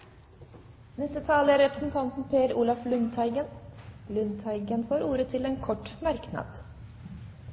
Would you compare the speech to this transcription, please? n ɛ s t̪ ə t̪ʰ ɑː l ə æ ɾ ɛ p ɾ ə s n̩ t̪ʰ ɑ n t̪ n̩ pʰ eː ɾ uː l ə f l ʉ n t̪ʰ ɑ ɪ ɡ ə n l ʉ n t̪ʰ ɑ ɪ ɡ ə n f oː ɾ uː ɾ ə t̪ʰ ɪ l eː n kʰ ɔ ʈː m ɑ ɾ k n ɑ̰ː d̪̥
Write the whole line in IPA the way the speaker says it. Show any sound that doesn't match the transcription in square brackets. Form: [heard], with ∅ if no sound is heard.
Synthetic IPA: n ɛ s t̪ ə t̪ʰ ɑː l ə æ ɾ ɛ p ɾ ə s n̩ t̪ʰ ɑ n t̪ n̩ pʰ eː ɾ uː l [ɑ] f l ʉ n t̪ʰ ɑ ɪ ɡ ə n l ʉ n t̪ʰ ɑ ɪ ɡ ə n f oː ɾ uː ɾ ə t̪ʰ ɪ l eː n kʰ ɔ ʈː m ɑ ɾ k n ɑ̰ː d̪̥